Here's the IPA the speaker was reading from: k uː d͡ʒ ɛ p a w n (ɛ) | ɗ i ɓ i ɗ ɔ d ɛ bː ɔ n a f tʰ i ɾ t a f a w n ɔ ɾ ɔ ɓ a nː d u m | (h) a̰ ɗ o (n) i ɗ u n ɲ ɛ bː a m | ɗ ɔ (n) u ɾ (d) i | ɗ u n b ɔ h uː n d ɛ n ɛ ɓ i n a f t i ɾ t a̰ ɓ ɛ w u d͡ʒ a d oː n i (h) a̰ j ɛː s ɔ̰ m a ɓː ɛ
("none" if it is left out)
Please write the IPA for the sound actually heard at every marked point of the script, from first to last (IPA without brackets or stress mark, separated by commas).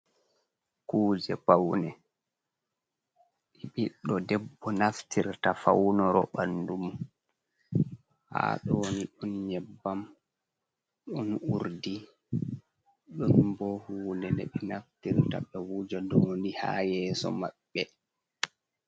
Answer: ɛ, h, n, n, d, h